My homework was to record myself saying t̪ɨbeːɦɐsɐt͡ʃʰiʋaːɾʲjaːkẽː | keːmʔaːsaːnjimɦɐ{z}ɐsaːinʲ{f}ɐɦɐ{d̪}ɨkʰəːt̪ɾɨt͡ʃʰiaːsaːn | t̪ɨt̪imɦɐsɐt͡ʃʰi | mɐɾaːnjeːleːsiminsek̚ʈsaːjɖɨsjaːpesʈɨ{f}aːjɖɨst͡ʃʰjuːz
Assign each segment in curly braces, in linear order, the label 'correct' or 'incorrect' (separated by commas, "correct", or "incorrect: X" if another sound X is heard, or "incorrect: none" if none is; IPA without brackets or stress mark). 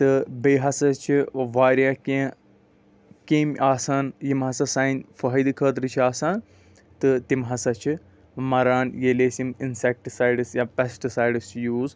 incorrect: s, correct, correct, incorrect: s